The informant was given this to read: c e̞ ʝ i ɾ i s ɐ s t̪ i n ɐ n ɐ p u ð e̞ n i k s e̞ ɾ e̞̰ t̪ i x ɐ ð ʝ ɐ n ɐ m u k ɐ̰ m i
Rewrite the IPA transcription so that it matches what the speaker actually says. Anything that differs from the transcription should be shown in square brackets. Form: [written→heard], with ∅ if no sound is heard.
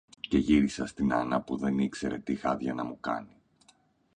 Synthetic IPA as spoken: c e̞ ʝ i ɾ i s ɐ s t̪ i n ɐ n ɐ p u ð e̞ n i k s e̞ ɾ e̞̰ t̪ i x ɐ ð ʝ ɐ n ɐ m u k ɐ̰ [m→n] i